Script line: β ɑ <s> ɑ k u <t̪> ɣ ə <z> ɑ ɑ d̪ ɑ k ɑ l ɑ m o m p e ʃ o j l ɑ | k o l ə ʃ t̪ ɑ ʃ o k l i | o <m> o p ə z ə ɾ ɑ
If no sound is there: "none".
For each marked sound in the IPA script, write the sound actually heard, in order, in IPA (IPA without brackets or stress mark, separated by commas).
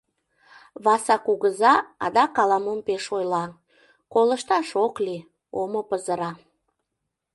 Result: s, none, z, m